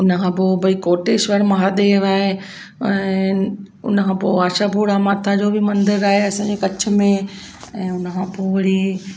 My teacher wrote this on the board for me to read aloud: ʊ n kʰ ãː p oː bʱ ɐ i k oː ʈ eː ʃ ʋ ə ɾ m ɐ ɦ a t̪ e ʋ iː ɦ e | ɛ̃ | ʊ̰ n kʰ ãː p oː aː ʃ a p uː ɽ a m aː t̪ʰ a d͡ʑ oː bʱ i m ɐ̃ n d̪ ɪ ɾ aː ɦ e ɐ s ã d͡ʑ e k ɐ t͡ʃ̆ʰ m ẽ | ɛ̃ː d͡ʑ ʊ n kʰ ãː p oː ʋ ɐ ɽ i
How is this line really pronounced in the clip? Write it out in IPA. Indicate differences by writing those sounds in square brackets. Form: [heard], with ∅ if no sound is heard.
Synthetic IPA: ʊ n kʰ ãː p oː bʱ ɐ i k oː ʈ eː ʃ ʋ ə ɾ m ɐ ɦ a [d̪] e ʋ [aː] ɦ e | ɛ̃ | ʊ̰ n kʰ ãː p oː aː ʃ a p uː ɽ a m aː t̪ʰ a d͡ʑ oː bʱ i m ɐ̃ n d̪ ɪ ɾ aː ɦ e ɐ s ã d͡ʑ e k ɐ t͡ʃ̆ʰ m ẽ | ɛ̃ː [∅] ʊ n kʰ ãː p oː ʋ ɐ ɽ i